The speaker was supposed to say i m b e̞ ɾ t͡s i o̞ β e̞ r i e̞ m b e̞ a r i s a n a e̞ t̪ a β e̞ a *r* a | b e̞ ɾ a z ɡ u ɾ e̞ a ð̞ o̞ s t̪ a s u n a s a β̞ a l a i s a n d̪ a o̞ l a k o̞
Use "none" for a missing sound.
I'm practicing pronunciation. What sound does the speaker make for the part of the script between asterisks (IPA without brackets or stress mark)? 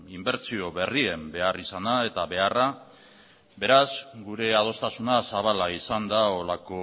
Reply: r